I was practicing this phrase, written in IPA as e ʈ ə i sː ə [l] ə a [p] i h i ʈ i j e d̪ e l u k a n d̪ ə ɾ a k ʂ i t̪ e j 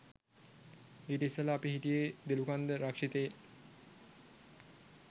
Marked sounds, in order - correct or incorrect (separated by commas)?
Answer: correct, correct